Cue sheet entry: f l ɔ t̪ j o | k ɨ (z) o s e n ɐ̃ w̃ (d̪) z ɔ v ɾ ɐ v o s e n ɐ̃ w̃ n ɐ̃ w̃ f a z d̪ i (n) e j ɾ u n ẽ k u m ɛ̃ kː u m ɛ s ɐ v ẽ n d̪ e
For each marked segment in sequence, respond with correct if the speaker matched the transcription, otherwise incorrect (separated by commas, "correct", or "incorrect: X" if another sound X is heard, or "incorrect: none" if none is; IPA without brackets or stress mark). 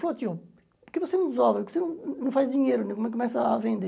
incorrect: v, correct, incorrect: ɲ